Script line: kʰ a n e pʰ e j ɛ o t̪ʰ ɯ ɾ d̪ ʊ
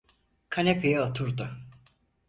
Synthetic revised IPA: kʰ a n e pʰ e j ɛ o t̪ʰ u ɾ d̪ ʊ